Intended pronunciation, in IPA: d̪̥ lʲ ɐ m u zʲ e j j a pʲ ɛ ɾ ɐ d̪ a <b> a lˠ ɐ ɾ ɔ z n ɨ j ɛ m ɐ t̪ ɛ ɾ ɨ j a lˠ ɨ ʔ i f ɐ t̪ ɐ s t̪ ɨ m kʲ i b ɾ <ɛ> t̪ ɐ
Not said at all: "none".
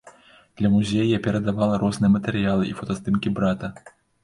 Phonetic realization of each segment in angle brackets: v, a

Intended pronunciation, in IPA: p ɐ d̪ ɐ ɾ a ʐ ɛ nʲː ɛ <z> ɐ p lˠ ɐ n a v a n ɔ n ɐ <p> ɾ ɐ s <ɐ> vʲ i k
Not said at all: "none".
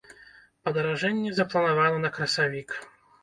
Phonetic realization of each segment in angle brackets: z, k, a

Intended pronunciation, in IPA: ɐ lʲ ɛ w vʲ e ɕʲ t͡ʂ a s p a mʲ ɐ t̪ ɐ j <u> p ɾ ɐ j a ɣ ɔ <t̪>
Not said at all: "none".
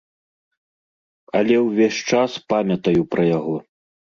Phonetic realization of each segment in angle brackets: u, none

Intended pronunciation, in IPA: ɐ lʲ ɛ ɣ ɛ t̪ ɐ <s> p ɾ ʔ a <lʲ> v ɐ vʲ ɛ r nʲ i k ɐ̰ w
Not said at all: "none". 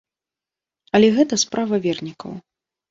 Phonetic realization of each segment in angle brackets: s, none

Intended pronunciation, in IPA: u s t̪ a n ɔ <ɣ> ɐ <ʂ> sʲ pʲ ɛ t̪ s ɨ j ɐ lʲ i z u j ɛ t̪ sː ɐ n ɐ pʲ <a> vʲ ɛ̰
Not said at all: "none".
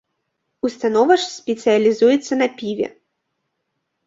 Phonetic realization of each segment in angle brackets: v, ʂ, i

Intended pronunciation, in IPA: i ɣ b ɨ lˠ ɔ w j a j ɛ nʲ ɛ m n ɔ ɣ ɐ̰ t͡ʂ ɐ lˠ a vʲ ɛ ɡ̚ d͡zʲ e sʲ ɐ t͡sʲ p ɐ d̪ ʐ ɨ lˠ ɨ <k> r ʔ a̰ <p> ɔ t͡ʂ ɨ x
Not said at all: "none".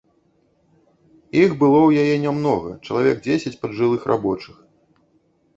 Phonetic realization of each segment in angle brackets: x, b

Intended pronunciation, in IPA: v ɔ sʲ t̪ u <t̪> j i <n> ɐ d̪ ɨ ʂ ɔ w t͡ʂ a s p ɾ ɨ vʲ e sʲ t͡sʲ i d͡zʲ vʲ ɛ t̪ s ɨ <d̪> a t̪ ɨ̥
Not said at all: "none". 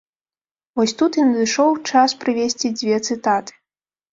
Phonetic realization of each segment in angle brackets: t̪, n, t̪

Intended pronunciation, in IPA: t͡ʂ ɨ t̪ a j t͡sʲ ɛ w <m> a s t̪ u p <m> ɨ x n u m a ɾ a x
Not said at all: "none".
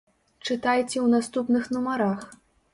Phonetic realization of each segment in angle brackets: n, n

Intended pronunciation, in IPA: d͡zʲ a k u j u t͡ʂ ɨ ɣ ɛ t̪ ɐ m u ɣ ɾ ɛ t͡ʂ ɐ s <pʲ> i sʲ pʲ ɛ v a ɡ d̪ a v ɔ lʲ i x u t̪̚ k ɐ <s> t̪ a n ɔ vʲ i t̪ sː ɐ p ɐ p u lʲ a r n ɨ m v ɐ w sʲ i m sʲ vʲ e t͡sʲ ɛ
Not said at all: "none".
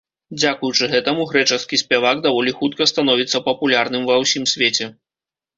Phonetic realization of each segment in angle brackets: kʲ, s

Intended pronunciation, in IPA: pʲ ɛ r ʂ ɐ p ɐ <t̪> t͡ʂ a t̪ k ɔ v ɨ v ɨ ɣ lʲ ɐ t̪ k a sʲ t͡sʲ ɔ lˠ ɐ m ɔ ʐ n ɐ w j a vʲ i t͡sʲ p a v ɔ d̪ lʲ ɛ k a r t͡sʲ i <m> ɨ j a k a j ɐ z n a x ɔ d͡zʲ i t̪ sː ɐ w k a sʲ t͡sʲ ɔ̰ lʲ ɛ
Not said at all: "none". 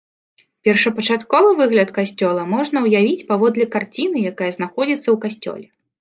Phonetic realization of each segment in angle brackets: none, n

